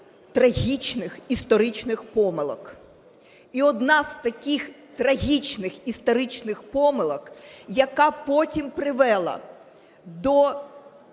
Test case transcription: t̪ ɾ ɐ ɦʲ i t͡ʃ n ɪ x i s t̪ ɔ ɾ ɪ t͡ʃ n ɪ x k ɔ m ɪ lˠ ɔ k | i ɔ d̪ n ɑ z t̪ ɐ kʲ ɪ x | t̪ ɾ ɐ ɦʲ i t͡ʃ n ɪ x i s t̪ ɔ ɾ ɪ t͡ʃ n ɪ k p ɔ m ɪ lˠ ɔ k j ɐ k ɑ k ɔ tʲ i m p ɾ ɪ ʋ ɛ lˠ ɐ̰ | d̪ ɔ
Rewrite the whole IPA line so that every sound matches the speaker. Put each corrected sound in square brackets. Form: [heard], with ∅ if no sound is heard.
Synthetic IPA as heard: t̪ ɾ ɐ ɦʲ i t͡ʃ n ɪ x i s t̪ ɔ ɾ ɪ t͡ʃ n ɪ x [p] ɔ m ɪ lˠ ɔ k | i ɔ d̪ n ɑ z t̪ ɐ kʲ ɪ x | t̪ ɾ ɐ ɦʲ i t͡ʃ n ɪ x i s t̪ ɔ ɾ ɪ t͡ʃ n ɪ [x] p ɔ m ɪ lˠ ɔ k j ɐ k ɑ [p] ɔ tʲ i m p ɾ ɪ ʋ ɛ lˠ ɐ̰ | d̪ ɔ